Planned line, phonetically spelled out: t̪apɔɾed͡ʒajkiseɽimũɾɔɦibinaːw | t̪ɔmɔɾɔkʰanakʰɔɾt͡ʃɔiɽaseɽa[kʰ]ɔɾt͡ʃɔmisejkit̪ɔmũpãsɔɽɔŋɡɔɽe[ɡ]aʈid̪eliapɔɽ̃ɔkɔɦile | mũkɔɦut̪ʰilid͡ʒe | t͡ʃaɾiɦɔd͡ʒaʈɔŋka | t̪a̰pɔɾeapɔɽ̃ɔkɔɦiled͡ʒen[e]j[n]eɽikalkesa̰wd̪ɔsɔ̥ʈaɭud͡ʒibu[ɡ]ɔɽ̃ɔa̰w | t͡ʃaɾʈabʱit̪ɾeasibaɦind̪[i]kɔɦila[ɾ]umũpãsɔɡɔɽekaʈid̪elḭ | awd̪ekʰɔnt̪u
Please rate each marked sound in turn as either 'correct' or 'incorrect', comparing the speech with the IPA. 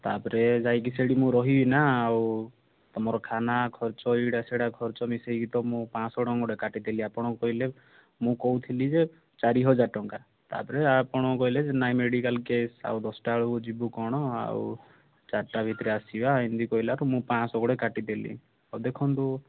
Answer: correct, incorrect, incorrect, incorrect, incorrect, correct, correct

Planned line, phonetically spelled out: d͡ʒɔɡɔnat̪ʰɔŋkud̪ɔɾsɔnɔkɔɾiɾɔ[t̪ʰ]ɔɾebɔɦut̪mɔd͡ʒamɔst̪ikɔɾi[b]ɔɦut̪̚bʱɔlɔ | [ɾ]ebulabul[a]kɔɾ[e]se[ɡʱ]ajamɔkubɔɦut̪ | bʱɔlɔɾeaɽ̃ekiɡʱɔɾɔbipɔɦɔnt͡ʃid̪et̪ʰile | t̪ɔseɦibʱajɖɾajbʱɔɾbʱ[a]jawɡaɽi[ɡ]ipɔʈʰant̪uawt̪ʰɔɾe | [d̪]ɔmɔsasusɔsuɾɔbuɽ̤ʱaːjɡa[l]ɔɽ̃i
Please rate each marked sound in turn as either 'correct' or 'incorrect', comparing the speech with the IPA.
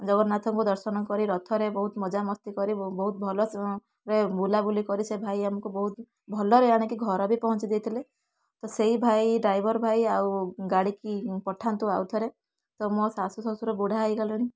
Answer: correct, correct, correct, incorrect, incorrect, incorrect, correct, incorrect, incorrect, correct

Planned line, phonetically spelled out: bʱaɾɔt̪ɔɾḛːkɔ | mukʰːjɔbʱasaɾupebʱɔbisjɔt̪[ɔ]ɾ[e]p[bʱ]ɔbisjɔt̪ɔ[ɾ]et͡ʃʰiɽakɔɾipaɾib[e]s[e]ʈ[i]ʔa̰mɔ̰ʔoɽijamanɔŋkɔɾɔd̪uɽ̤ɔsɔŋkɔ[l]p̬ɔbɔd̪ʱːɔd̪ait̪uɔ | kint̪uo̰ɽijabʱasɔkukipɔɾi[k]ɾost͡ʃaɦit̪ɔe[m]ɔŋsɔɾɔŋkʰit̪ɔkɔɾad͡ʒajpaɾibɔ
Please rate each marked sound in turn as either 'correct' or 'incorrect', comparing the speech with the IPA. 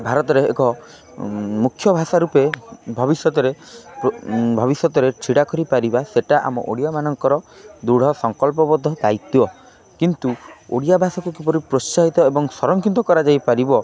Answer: correct, correct, correct, correct, incorrect, correct, incorrect, correct, incorrect, incorrect

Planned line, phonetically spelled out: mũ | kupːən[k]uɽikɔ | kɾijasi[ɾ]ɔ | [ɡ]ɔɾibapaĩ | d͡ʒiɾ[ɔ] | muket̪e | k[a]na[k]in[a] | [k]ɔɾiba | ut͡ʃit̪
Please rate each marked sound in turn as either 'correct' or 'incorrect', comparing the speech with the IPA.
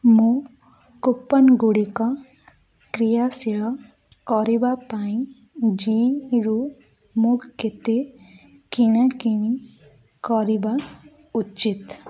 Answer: incorrect, incorrect, incorrect, incorrect, incorrect, correct, incorrect, correct

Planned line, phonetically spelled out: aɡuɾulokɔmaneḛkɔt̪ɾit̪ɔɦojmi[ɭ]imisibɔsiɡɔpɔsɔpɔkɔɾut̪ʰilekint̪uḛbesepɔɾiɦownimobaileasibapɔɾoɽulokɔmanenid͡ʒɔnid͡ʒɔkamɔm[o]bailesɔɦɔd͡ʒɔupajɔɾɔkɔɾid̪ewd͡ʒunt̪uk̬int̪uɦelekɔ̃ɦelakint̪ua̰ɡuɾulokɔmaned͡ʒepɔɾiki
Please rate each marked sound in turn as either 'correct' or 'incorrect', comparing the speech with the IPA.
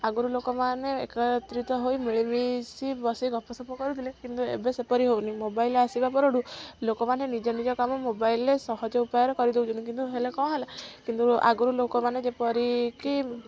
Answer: correct, correct

